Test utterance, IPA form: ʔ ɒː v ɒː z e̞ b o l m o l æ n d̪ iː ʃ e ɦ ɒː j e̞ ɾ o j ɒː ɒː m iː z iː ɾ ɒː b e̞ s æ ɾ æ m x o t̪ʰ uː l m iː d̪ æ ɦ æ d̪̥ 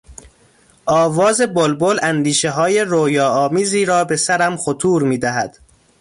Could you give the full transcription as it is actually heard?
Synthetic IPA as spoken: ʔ ɒː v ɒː z e̞ b o l b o l æ n d̪ iː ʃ e ɦ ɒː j e̞ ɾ o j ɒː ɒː m iː z iː ɾ ɒː b e̞ s æ ɾ æ m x o t̪ʰ uː ɾ m iː d̪ æ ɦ æ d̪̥